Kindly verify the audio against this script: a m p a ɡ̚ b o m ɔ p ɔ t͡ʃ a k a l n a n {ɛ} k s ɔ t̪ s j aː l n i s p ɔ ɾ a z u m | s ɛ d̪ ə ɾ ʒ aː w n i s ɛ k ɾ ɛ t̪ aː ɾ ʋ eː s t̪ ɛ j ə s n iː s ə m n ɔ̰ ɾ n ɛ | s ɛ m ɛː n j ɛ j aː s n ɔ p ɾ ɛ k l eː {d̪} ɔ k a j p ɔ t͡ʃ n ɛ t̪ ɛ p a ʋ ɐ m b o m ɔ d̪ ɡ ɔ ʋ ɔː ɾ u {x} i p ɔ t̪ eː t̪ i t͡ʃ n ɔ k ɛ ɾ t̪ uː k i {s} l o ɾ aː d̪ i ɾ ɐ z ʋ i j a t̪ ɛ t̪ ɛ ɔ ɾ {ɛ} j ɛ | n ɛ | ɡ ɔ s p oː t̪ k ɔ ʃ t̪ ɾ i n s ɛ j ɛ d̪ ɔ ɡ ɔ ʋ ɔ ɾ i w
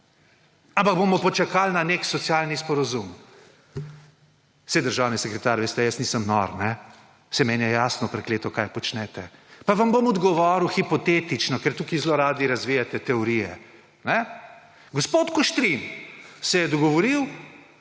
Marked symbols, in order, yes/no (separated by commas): no, no, yes, no, no